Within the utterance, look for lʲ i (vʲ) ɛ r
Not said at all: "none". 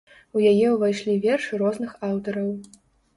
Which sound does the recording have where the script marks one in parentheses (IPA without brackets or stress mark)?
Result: vʲ